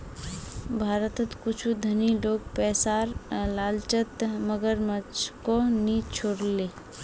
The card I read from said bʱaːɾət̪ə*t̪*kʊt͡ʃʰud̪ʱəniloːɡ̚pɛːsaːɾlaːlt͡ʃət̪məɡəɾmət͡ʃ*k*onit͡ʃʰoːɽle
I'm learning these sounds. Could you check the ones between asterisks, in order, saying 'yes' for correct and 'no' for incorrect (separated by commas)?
yes, yes